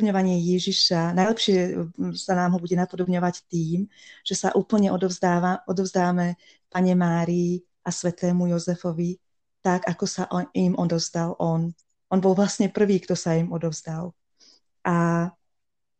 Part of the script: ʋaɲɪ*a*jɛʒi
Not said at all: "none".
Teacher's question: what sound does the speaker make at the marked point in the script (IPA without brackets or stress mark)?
ɛ